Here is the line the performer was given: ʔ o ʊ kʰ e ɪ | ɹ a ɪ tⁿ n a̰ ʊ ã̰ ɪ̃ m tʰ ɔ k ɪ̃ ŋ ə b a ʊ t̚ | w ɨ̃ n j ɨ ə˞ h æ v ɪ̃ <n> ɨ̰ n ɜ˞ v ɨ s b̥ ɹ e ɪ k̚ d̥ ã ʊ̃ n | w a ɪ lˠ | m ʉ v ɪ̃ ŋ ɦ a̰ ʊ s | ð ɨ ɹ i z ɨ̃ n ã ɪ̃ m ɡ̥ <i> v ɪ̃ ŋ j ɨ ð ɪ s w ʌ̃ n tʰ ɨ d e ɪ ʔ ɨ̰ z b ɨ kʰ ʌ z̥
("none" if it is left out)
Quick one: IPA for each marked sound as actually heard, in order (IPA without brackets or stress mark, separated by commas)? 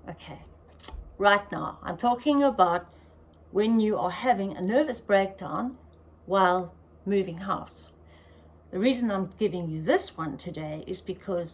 ŋ, ɪ